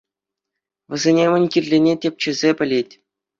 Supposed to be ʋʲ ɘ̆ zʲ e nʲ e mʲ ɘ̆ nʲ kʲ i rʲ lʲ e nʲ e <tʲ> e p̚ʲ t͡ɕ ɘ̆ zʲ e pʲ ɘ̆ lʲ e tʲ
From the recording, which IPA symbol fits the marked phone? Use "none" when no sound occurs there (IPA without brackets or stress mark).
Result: tʲ